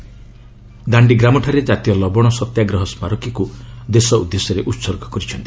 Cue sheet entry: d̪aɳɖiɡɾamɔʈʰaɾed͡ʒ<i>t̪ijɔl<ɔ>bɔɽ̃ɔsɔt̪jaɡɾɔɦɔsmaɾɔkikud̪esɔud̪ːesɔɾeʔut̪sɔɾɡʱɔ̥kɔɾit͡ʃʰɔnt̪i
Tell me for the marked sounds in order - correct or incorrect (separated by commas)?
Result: incorrect, correct